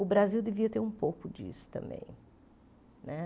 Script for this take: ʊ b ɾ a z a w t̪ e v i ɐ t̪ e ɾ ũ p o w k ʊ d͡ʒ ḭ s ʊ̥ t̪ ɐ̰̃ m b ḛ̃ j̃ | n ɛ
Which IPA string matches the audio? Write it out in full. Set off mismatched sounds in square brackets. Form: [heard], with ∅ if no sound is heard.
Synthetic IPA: ʊ b ɾ a z [i] w [d̪] e v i ɐ t̪ e ɾ ũ p o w k ʊ d͡ʒ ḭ s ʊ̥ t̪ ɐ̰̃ m b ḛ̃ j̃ | n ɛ